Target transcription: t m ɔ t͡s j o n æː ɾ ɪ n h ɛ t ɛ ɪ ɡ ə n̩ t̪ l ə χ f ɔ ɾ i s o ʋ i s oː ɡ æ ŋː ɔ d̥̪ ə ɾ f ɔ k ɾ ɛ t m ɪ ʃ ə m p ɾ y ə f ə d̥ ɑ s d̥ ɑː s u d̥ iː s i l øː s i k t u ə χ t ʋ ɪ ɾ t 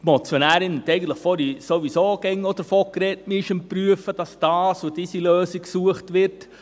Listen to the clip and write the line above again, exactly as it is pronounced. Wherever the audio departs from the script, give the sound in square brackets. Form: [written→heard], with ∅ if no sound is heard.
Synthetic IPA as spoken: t m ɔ t͡s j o n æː ɾ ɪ n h ɛ t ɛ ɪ ɡ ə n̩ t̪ l ə χ f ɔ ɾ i s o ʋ i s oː ɡ [æ→ɛ] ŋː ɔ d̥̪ ə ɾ f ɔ k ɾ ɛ t m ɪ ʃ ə m p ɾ y ə f ə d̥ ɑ s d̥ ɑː s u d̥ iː s i l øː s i k [t→s] u ə χ t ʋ ɪ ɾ t